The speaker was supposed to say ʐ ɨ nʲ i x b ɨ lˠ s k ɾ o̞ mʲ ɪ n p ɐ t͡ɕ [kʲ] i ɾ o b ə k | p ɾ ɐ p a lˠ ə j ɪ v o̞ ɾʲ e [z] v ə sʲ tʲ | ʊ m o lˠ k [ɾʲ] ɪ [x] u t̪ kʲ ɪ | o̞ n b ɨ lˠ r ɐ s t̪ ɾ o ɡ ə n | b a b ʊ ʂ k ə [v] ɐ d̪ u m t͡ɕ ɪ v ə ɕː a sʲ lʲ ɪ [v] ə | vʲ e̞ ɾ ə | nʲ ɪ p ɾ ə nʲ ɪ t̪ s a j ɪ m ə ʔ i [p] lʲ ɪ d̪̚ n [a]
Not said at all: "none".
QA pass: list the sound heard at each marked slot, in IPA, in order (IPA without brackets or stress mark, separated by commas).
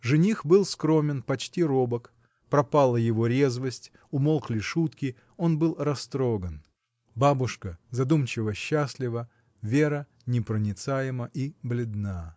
tʲ, z, lʲ, ʂ, z, v, b, a